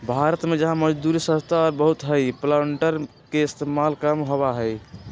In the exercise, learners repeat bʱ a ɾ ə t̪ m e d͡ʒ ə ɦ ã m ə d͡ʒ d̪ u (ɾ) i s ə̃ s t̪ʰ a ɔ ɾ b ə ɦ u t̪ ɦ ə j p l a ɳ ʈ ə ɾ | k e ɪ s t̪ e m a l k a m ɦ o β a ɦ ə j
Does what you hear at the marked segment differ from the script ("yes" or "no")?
no